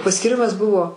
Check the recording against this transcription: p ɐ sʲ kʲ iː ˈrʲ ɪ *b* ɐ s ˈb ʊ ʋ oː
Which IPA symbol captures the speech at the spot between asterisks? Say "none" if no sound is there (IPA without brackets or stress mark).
m